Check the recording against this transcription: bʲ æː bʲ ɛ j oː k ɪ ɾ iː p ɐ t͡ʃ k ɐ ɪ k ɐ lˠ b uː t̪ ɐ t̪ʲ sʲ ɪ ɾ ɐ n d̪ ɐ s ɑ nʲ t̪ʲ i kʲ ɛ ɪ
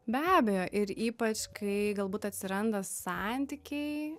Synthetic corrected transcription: bʲ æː bʲ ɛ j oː ʔ ɪ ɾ iː p ɐ t͡ʃ k ɐ ɪ ɡ ɐ lˠ b uː t̪ ɐ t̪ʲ sʲ ɪ ɾ ɐ n d̪ ɐ s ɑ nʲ t̪ʲ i kʲ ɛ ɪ